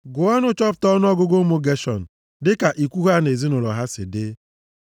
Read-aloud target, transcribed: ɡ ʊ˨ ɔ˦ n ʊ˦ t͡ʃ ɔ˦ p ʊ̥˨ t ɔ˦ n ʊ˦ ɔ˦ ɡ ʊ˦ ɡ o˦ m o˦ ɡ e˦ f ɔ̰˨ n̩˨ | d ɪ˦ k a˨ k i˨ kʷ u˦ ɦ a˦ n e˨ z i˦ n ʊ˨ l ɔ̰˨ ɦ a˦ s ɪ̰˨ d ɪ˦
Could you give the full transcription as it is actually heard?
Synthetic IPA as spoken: ɡ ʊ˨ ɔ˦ n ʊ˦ t͡ʃ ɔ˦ p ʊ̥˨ t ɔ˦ n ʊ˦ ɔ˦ ɡ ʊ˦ ɡ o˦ m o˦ ɡ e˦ ʃ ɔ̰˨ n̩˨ | d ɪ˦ k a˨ ʔ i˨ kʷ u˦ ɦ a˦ n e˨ z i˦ n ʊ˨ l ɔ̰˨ ɦ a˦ s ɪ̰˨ d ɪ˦